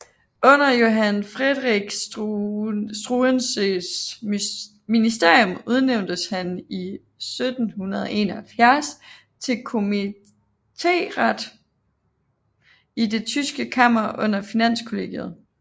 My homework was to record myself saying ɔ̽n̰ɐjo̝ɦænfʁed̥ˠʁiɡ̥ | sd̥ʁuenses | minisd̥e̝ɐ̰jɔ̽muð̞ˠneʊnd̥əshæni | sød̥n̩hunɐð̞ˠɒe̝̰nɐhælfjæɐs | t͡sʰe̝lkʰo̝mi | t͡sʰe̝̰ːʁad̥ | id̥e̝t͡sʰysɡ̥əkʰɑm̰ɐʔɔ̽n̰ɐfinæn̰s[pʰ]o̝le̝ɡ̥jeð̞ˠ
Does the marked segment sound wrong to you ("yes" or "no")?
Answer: yes